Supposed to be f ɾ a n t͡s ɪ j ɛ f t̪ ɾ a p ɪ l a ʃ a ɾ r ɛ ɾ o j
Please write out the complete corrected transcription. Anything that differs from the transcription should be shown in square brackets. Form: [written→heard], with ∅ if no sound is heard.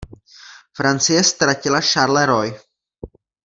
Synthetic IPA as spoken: f ɾ a n t͡s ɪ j ɛ [f→s] t̪ ɾ a [p→c] ɪ l a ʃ a ɾ [r→l] ɛ ɾ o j